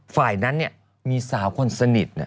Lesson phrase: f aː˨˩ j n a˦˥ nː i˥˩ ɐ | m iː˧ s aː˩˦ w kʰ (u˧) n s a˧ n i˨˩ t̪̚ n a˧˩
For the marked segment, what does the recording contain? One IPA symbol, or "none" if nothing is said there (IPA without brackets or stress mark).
o˧